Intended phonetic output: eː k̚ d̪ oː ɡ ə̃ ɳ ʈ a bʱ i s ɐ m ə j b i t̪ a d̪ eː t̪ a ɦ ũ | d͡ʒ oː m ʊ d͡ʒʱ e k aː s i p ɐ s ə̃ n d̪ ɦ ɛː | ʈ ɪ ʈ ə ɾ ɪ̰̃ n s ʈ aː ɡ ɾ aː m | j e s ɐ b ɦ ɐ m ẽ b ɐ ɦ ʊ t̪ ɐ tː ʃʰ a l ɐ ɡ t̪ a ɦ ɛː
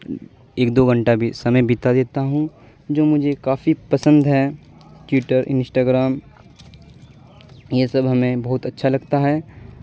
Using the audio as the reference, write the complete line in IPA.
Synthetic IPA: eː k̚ d̪ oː ɡ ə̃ ɳ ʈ a bʱ i s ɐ m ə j b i t̪ a d̪ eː t̪ a ɦ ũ | d͡ʒ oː m ʊ d͡ʒʱ e k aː f i p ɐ s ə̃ n d̪ ɦ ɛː | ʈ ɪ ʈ ə ɾ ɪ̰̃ n s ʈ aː ɡ ɾ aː m | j e s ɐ b ɦ ɐ m ẽ b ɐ ɦ ʊ t̪ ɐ tː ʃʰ a l ɐ ɡ t̪ a ɦ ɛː